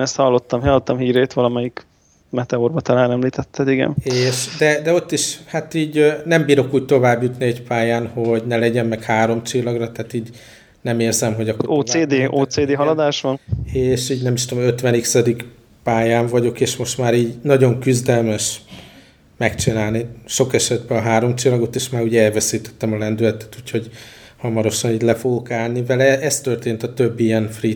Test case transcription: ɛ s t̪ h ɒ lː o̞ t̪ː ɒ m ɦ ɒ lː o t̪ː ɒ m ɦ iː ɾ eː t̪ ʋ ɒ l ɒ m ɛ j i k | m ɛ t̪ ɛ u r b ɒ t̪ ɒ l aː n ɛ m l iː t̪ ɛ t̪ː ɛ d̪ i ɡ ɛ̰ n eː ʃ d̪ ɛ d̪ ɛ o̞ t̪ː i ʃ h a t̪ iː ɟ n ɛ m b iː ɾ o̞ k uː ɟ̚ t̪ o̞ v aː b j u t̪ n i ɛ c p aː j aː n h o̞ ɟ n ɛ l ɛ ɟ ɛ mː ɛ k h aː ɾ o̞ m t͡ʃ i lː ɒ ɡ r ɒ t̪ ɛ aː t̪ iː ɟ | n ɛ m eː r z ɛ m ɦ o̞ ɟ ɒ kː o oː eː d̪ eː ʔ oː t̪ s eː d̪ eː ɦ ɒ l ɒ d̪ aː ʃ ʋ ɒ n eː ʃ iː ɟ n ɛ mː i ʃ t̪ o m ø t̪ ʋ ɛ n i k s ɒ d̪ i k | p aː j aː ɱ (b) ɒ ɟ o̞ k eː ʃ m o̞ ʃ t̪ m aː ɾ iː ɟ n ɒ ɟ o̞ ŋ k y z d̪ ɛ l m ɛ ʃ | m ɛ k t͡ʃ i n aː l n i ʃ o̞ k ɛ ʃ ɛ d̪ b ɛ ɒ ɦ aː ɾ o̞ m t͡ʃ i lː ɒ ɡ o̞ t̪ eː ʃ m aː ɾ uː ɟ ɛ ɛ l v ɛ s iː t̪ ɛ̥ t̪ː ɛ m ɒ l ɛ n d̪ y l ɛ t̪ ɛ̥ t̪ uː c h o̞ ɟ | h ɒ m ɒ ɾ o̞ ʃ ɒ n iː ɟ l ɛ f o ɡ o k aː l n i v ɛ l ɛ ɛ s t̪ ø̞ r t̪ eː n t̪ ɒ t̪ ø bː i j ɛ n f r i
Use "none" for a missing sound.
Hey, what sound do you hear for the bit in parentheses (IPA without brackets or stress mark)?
v